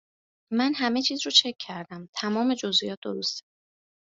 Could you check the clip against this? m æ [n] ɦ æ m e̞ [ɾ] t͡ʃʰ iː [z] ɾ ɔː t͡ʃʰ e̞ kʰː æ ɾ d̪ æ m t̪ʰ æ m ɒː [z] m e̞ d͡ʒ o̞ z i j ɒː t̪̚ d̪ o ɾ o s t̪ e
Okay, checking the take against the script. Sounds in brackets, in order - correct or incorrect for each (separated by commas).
correct, incorrect, correct, incorrect